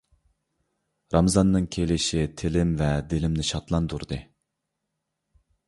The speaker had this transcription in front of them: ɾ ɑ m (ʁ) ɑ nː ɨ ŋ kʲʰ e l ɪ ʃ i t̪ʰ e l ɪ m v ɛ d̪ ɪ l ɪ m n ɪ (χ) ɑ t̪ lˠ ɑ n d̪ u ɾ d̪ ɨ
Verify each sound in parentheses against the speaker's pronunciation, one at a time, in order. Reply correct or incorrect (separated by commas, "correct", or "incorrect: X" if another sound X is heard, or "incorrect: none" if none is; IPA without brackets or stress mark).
incorrect: z, incorrect: ʃ